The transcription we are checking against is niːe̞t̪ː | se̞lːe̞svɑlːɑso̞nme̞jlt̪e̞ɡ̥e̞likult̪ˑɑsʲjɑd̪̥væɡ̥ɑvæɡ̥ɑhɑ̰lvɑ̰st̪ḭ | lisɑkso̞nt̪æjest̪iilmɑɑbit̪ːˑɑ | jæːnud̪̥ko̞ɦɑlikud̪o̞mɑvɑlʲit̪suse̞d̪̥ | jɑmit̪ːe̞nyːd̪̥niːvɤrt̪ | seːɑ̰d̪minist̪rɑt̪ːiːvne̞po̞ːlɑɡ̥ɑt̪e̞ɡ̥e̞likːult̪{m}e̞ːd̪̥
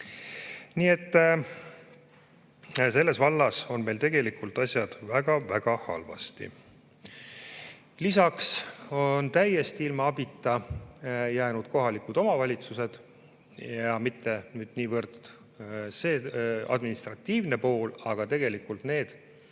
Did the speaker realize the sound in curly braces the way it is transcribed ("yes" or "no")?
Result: no